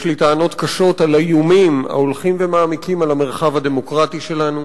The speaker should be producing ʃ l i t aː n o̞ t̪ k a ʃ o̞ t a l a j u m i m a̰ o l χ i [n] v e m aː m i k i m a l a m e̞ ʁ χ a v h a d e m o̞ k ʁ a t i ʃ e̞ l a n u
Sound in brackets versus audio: incorrect: m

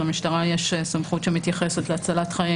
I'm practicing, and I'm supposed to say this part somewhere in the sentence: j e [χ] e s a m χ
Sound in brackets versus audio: incorrect: ʃ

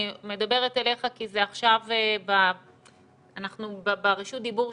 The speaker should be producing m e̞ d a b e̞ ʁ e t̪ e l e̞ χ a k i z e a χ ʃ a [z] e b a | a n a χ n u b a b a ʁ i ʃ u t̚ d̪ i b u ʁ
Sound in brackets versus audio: incorrect: v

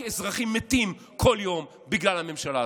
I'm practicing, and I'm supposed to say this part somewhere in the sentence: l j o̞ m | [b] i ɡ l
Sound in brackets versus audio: correct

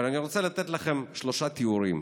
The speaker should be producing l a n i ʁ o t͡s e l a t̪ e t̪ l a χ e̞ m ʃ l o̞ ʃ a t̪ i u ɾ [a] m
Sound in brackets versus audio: incorrect: i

